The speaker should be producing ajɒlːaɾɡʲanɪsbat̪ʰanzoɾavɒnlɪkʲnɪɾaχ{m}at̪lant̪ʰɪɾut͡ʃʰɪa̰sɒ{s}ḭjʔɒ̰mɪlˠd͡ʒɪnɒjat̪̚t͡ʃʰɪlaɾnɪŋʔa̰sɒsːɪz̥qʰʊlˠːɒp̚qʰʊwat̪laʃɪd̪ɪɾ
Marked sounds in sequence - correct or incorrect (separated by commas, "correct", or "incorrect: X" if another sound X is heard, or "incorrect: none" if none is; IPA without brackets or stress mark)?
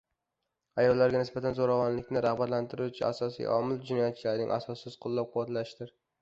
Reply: incorrect: b, correct